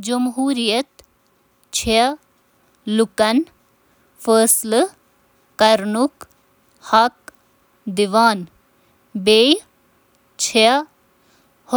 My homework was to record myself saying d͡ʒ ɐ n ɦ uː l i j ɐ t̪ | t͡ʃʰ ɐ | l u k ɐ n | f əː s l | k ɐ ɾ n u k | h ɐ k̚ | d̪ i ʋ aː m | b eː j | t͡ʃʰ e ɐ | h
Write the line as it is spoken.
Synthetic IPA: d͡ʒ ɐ m ɦ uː ɾ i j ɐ t̪ | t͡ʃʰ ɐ | l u k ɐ n | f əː s l | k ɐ ɾ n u k | h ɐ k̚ | d̪ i ʋ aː n | b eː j | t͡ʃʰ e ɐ | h